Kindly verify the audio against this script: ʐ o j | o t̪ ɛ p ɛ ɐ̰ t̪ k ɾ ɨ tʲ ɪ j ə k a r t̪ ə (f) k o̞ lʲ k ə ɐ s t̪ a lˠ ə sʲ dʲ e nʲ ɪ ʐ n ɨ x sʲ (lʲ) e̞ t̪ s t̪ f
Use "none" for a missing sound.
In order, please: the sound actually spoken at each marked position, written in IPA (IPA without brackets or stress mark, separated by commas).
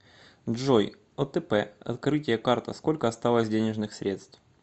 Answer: s, ɾʲ